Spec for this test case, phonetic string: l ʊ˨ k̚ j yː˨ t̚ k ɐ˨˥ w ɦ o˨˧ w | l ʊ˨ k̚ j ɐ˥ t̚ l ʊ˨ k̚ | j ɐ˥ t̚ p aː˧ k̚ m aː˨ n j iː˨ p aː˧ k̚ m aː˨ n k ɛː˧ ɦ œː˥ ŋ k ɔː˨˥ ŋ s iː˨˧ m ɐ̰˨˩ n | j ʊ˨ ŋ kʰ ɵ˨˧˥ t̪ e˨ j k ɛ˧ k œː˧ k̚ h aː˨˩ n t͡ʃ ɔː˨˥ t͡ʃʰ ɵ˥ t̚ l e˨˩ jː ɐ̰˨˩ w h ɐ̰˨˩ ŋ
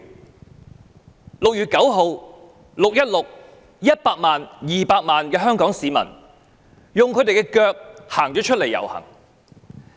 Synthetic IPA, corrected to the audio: l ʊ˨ k̚ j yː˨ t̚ k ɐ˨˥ w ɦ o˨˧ w | l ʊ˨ k̚ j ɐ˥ t̚ l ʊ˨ k̚ | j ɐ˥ t̚ p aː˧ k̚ m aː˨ n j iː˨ p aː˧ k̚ m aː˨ n k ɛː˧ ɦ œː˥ ŋ k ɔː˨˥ ŋ s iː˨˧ m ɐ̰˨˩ n | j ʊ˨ ŋ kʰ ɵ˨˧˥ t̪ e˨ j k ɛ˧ k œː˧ k̚ h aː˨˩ ŋ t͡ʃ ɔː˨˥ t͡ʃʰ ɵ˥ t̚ l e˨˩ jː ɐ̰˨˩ w h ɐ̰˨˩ ŋ